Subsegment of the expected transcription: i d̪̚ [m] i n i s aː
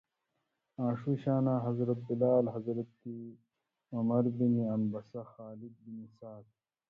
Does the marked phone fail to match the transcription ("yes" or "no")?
yes